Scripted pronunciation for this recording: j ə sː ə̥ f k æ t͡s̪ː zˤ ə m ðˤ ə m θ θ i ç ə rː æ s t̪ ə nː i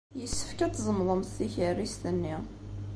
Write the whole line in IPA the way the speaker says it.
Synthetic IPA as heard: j ə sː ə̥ f k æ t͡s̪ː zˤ ə m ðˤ ə m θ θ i ç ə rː i s t̪ ə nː i